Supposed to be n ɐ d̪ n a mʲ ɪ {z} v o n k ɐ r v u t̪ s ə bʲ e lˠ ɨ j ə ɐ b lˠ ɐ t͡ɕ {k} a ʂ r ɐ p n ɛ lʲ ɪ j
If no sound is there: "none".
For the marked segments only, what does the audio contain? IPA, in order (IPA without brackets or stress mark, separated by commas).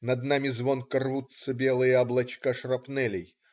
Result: z, k